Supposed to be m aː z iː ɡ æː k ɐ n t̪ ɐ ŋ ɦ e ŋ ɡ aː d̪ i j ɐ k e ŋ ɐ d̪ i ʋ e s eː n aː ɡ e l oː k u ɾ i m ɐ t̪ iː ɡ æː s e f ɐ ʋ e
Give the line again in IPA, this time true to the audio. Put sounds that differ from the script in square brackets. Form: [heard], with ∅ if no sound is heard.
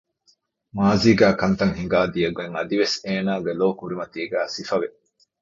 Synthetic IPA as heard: m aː z iː ɡ æː k ɐ n t̪ ɐ ŋ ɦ [i] ŋ ɡ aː d̪ i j ɐ [ɡ] e ŋ ɐ d̪ i ʋ e s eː n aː ɡ e l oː k u ɾ i m ɐ t̪ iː ɡ æː s [i] f ɐ ʋ e